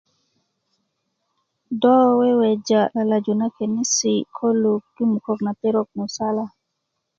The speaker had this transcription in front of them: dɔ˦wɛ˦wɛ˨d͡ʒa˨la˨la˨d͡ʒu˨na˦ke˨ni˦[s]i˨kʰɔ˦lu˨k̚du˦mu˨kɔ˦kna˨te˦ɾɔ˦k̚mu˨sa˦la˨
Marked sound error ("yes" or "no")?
no